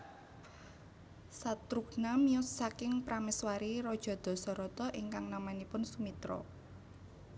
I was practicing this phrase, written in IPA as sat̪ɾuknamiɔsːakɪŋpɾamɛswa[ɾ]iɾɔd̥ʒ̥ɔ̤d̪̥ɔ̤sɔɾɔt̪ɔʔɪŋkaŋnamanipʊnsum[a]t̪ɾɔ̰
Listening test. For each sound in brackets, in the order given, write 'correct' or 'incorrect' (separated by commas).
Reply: correct, incorrect